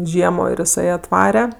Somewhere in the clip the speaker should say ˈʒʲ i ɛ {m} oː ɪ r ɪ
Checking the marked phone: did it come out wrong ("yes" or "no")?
no